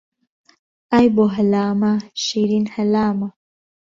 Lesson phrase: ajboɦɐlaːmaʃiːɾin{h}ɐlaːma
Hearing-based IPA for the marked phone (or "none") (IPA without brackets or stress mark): h